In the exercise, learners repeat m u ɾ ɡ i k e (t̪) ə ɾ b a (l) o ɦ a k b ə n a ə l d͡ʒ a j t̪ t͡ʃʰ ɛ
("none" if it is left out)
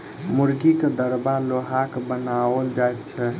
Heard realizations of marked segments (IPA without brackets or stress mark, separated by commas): d̪, l